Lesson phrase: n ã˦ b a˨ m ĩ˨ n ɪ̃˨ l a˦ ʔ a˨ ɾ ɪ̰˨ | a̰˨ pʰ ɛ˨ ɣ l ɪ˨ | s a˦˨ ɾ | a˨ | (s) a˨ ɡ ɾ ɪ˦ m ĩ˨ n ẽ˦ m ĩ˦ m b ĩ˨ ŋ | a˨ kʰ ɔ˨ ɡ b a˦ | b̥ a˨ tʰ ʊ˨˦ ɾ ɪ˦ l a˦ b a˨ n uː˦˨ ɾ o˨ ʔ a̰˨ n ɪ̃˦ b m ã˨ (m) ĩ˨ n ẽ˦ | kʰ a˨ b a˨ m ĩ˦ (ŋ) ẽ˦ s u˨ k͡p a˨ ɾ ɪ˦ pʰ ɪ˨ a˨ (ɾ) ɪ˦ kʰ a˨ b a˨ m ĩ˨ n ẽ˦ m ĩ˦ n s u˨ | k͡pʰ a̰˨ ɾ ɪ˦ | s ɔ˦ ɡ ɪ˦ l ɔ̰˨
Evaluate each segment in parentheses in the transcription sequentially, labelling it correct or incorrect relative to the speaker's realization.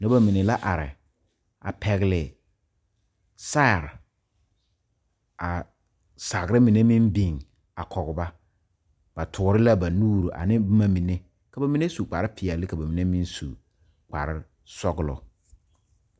correct, correct, incorrect: n, incorrect: l

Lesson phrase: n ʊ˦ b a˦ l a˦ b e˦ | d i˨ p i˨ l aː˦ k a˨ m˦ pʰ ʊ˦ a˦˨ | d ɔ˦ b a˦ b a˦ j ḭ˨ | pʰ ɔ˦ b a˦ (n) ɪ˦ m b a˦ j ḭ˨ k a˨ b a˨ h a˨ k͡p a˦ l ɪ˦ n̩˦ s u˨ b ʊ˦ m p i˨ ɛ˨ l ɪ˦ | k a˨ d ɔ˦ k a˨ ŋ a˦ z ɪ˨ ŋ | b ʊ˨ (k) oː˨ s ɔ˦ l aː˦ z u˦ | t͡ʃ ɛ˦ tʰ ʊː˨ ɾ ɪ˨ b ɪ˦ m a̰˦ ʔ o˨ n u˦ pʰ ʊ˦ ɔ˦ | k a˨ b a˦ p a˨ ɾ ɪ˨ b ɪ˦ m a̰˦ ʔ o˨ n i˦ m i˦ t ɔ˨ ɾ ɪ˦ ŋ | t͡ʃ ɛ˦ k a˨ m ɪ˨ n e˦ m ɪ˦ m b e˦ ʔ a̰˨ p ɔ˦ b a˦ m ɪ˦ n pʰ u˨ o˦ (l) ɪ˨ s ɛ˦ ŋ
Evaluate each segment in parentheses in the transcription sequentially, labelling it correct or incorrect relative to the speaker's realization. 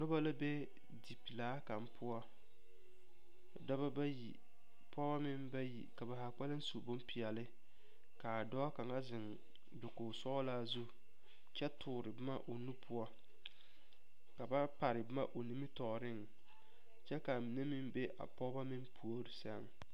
incorrect: m, correct, incorrect: ɾ

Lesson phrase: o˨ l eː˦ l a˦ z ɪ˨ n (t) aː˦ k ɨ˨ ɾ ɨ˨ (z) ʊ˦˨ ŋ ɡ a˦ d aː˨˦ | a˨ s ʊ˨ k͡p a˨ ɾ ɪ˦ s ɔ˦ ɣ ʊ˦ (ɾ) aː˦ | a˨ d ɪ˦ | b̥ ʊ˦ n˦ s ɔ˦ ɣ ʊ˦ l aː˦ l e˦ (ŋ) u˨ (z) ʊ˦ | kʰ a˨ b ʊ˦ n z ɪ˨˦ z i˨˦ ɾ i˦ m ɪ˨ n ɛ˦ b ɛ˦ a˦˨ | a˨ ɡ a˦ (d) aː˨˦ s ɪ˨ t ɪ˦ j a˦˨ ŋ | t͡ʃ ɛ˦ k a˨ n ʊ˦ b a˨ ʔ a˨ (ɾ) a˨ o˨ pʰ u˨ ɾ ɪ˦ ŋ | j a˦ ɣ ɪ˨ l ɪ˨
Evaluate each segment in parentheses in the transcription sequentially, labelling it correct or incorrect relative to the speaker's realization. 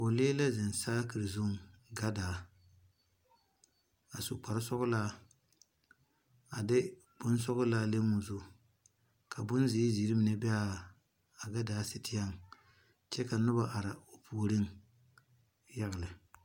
incorrect: s, correct, incorrect: l, incorrect: m, correct, correct, correct

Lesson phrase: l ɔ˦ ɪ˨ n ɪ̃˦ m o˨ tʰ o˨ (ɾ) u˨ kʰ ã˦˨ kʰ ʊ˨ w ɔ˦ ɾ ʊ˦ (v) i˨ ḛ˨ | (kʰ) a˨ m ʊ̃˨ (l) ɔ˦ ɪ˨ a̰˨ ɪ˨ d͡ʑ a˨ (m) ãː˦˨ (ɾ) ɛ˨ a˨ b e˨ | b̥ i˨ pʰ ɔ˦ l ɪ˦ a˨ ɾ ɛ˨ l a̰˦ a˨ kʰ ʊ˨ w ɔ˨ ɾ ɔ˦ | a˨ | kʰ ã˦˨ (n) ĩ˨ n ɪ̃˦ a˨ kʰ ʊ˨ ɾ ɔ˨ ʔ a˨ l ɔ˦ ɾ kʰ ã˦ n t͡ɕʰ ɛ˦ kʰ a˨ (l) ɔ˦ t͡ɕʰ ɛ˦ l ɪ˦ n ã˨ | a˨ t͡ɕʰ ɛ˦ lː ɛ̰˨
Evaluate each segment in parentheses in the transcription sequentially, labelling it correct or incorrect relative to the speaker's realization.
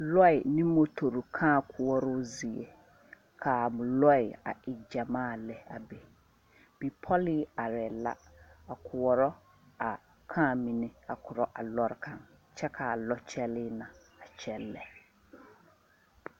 correct, incorrect: z, correct, correct, correct, incorrect: l, incorrect: m, correct

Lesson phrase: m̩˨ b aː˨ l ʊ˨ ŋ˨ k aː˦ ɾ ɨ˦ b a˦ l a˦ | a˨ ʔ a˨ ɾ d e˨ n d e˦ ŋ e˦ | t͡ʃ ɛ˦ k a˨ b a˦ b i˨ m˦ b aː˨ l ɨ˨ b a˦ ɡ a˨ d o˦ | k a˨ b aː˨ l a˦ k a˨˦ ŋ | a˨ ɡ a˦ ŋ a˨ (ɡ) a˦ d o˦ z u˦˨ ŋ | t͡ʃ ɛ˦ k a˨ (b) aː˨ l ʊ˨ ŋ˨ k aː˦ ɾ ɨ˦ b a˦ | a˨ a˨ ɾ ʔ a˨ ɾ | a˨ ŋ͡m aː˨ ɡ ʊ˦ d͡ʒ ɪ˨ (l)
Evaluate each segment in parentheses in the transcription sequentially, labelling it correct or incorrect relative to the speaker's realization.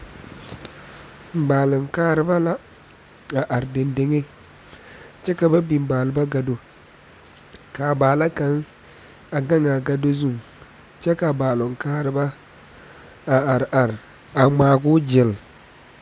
correct, correct, correct

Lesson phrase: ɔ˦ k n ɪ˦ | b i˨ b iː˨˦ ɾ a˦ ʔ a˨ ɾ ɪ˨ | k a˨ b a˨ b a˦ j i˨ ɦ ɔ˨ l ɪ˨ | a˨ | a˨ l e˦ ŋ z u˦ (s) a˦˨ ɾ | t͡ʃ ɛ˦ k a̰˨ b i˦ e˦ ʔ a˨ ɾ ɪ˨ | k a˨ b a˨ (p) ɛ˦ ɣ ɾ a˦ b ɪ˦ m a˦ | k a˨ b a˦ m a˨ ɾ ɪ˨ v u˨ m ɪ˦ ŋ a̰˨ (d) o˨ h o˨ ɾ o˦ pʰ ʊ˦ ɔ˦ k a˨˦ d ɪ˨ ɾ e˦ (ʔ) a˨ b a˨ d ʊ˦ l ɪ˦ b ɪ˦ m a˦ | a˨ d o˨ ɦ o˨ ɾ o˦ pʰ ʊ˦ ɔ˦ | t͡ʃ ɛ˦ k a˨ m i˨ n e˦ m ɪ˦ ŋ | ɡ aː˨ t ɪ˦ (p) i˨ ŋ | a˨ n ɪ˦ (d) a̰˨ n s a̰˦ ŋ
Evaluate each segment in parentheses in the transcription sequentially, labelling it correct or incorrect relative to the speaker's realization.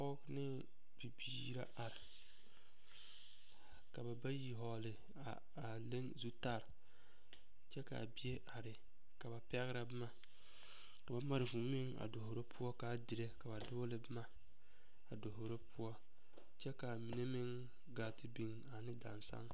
incorrect: t, correct, correct, incorrect: k, incorrect: b, correct

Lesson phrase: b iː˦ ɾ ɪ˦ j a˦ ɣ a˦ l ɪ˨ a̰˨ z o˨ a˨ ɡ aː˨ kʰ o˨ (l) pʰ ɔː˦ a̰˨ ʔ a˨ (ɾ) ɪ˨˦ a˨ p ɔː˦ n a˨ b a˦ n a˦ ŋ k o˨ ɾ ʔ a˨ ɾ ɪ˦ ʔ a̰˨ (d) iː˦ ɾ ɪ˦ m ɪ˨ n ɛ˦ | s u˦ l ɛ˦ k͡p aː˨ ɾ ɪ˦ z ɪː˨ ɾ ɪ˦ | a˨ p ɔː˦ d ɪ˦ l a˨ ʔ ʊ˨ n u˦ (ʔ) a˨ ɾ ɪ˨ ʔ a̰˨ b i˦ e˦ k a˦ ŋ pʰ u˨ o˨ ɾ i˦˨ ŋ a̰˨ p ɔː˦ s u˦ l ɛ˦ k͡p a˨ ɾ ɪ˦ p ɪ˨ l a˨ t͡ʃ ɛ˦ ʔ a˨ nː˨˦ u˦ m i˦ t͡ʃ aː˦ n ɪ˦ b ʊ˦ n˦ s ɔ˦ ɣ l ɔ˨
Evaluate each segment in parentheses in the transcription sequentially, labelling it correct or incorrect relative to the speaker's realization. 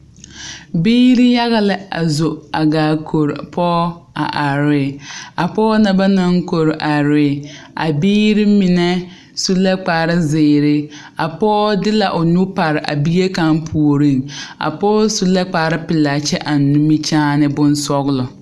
incorrect: ɾ, correct, incorrect: b, incorrect: p

